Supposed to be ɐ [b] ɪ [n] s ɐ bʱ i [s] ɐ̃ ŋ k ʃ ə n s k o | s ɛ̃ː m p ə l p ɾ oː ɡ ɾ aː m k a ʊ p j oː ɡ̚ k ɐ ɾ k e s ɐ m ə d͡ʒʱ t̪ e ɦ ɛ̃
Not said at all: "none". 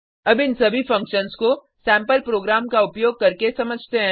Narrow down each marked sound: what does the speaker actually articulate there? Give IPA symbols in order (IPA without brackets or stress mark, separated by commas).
b, n, f